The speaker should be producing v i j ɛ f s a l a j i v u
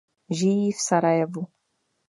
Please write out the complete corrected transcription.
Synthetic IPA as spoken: ʒ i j i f s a ɾ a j ɛ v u